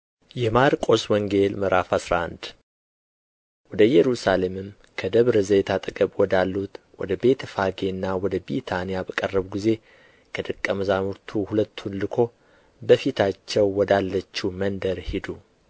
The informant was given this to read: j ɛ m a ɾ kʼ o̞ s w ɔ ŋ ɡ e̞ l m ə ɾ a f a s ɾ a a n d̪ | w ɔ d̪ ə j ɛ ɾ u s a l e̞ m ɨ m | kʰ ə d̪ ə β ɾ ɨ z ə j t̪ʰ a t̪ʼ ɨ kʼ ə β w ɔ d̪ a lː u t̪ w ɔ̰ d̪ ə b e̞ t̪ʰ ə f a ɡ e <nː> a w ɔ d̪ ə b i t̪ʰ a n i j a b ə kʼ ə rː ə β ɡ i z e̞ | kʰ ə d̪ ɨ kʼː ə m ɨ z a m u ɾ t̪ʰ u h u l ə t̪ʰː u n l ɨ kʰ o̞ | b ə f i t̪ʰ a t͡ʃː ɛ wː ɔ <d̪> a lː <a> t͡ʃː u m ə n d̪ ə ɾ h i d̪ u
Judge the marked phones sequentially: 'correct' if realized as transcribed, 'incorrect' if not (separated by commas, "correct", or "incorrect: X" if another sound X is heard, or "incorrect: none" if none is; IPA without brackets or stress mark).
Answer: correct, correct, incorrect: ə